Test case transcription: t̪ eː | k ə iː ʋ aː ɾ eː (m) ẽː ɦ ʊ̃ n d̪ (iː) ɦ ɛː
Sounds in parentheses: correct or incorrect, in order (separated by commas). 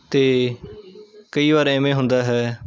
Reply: correct, incorrect